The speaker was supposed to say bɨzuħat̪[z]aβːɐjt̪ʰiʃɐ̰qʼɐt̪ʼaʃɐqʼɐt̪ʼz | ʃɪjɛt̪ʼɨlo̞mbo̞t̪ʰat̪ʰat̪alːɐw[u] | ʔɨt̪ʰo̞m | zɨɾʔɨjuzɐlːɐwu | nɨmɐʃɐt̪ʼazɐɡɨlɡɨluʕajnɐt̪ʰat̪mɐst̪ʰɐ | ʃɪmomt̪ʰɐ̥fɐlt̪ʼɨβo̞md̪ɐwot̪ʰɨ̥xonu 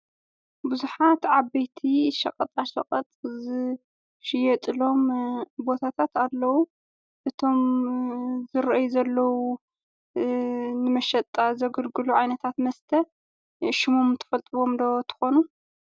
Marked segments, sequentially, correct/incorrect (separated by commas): incorrect, correct